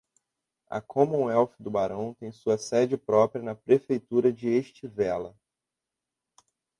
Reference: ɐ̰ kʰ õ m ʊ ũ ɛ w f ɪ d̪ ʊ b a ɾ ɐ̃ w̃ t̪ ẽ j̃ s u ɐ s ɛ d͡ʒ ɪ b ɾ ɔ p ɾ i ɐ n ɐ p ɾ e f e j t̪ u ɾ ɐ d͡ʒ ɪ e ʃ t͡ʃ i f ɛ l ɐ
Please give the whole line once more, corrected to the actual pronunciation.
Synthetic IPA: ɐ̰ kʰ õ m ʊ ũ ɛ w f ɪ d̪ ʊ b a ɾ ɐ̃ w̃ t̪ ẽ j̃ s u ɐ s ɛ d͡ʒ ɪ p ɾ ɔ p ɾ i ɐ n ɐ p ɾ e f e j t̪ u ɾ ɐ d͡ʒ ɪ e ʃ t͡ʃ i v ɛ l ɐ